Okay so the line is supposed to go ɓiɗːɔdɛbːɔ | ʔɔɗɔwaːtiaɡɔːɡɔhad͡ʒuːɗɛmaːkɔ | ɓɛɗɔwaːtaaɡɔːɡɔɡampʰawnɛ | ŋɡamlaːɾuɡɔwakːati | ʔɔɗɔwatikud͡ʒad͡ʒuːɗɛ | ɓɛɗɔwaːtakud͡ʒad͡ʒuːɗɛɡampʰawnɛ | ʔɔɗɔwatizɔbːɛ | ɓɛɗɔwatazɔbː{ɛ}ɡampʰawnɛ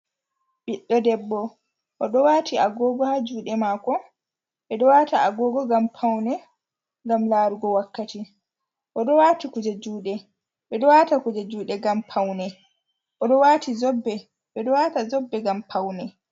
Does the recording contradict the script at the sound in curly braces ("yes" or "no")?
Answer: no